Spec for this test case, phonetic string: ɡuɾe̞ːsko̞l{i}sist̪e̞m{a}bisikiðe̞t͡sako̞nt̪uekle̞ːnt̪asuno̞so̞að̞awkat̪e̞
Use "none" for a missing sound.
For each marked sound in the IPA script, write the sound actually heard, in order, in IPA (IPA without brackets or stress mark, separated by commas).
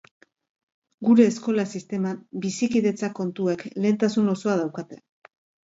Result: a, a